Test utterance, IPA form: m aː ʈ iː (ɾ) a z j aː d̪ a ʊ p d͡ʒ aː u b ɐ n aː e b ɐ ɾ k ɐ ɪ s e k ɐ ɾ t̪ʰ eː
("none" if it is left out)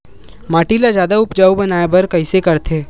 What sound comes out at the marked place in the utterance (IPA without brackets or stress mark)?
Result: l